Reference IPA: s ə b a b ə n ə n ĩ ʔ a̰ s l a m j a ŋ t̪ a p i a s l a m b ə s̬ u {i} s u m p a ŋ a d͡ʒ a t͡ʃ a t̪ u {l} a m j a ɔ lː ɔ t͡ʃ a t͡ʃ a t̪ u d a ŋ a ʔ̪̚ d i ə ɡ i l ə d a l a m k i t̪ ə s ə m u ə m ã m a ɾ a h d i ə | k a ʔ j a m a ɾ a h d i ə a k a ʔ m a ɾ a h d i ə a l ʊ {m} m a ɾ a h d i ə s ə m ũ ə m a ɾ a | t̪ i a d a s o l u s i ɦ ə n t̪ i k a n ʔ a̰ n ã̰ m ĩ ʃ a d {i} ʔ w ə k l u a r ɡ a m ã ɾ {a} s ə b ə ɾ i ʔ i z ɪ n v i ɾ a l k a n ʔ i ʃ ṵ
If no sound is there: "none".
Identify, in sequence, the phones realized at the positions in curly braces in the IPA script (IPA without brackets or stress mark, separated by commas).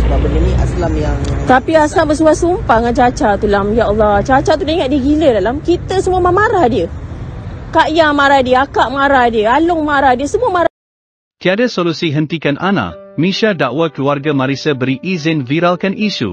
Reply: a, l, ŋ, a, i